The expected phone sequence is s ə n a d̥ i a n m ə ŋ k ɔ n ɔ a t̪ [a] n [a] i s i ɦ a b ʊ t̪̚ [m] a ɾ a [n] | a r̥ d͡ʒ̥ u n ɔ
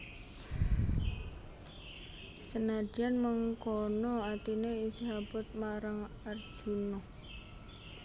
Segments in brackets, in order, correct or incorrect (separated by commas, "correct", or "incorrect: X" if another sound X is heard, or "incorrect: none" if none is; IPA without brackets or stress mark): incorrect: i, incorrect: e, correct, incorrect: ŋ